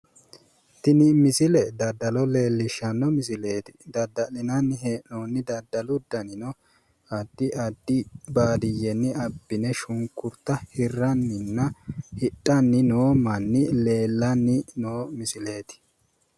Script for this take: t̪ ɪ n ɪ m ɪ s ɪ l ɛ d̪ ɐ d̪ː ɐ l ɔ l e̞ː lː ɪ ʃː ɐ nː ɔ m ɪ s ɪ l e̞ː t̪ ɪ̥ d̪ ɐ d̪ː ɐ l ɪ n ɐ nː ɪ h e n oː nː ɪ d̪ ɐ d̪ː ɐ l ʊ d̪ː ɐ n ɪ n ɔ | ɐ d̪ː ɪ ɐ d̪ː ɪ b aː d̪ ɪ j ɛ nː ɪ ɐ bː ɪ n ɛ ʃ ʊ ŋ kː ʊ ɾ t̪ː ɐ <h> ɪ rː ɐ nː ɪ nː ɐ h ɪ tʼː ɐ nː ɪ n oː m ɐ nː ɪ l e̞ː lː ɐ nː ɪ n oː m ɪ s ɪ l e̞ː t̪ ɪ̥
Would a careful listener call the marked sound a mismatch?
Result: no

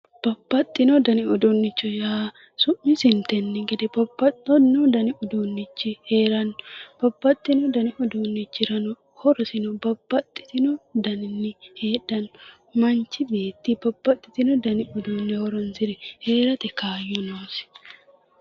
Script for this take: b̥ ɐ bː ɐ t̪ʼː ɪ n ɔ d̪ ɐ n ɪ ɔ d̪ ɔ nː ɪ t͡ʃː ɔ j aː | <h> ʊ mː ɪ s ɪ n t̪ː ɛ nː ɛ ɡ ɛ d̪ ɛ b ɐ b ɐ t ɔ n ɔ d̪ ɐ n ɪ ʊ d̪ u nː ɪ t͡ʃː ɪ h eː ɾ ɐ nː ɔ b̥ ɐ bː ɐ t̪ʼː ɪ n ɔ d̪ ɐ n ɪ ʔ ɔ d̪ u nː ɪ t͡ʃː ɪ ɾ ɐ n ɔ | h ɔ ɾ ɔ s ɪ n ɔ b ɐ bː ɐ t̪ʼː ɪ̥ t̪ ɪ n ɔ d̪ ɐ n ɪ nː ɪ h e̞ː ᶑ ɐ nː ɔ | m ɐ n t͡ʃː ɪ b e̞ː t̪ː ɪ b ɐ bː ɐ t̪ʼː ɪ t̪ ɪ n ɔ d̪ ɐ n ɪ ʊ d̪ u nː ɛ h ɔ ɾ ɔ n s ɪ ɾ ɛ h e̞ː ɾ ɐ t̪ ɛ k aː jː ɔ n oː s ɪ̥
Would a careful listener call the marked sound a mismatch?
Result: yes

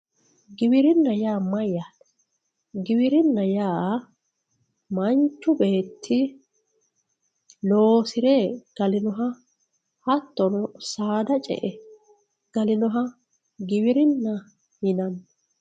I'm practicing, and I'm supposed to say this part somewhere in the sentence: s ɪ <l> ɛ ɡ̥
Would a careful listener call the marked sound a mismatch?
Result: yes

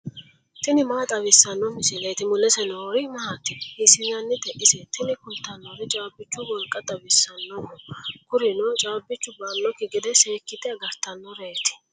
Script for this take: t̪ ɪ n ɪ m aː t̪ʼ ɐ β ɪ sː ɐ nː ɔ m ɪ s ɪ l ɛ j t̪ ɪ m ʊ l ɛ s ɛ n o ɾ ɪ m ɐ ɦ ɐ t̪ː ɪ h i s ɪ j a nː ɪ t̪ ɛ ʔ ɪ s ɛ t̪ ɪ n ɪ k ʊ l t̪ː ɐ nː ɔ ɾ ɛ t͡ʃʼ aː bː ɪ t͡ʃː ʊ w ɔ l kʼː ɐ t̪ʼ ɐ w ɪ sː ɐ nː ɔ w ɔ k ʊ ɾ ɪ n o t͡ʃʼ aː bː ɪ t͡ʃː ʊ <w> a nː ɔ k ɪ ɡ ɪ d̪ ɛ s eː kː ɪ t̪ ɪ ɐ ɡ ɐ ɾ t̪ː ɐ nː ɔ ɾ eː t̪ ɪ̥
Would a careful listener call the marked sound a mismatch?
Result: yes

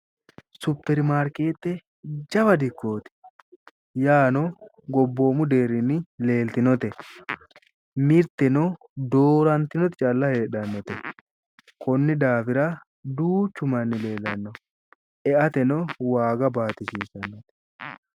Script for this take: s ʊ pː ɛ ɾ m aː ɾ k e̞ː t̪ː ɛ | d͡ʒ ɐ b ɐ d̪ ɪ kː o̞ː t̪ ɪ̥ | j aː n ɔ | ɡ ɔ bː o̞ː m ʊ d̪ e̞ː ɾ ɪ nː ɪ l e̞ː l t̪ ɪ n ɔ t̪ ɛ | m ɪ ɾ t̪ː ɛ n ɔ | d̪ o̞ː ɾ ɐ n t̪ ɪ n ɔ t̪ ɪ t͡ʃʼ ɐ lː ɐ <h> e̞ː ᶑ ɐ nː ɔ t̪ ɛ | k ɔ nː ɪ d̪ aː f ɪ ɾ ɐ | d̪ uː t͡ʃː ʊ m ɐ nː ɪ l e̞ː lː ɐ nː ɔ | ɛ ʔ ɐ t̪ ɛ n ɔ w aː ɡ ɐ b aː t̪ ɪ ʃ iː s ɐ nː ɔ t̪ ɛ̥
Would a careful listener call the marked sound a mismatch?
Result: no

